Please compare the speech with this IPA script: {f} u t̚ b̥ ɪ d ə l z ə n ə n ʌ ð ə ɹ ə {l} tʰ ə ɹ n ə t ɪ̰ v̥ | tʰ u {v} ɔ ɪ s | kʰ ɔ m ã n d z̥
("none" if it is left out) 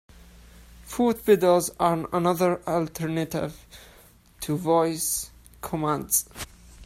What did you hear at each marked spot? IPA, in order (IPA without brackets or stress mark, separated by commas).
f, l, v